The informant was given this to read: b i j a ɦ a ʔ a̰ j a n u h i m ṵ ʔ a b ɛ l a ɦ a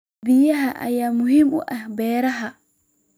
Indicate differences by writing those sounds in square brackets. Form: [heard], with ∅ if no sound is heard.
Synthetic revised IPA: b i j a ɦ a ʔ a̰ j a [m] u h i m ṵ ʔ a b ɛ [ɾ] a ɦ a